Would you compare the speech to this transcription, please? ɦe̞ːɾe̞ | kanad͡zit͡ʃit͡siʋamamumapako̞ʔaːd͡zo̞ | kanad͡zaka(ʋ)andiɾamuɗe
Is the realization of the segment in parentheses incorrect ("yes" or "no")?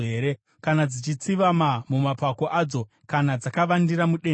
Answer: no